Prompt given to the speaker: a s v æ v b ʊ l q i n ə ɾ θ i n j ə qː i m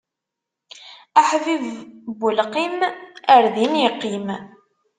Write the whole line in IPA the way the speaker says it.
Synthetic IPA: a ħ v i v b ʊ l q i m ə ɾ ð i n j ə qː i m